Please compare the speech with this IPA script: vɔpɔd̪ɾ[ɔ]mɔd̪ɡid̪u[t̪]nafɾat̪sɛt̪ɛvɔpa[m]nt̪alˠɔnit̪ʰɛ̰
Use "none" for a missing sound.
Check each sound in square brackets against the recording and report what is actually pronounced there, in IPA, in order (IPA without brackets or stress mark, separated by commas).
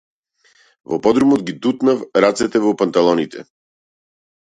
u, t̪, none